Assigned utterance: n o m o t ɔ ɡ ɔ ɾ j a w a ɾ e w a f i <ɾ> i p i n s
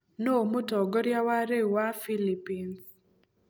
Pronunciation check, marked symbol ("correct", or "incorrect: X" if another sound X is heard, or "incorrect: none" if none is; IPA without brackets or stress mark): incorrect: l